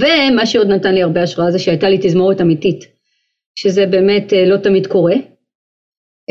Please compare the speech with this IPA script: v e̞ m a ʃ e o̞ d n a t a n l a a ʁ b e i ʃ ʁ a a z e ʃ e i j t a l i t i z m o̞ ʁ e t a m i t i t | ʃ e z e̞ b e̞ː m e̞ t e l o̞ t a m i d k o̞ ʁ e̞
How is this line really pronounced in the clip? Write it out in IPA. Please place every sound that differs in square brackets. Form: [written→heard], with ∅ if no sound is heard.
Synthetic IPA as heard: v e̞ m a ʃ e o̞ d n a t a n l [a→i] a ʁ b e [i→a] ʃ ʁ a a z e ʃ e [i→a] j t a l i t i z m o̞ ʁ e t a m i t i t | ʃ e z e̞ b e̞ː m e̞ t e l o̞ t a m i d k o̞ ʁ e̞